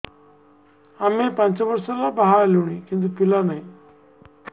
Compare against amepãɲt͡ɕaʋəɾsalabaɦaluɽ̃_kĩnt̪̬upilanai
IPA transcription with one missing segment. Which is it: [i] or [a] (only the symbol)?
i